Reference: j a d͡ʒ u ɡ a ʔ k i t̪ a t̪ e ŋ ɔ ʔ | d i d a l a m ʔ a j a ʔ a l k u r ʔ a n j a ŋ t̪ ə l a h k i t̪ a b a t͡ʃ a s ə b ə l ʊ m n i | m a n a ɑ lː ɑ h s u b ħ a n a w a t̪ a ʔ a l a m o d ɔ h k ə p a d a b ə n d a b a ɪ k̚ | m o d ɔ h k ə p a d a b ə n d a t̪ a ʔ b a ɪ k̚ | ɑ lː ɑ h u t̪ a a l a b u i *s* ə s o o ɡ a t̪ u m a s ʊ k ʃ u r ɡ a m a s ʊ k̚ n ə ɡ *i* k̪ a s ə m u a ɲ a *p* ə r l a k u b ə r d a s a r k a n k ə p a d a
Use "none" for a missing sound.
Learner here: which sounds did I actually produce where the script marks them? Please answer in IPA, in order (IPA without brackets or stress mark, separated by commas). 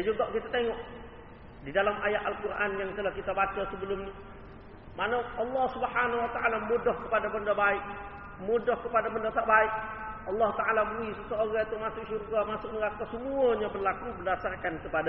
s, a, b